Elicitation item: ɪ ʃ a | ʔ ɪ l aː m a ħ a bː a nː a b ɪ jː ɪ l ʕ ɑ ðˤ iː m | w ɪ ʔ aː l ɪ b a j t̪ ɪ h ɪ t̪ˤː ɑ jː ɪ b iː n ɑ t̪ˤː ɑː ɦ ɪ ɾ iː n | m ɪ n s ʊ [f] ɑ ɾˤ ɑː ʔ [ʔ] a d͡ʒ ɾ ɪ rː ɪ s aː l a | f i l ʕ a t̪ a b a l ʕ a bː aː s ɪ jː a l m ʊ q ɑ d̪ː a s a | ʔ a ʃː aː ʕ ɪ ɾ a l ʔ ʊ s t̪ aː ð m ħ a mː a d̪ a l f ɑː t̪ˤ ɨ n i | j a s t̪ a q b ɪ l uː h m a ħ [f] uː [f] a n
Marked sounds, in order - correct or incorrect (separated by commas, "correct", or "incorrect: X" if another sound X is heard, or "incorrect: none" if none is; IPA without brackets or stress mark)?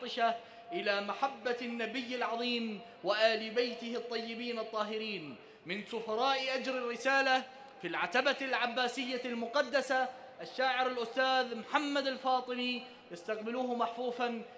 correct, correct, correct, correct